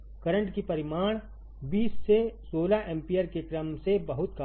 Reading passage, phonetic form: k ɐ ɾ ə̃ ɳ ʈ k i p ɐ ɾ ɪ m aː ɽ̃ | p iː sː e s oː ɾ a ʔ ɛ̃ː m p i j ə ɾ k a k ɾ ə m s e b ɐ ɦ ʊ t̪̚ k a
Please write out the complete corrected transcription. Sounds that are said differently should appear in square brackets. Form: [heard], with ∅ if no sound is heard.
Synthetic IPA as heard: k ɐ ɾ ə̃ ɳ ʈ k i p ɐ ɾ ɪ m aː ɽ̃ | [b] iː sː e s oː [l] a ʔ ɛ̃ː m p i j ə ɾ k [e] k ɾ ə m s e b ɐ ɦ ʊ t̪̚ k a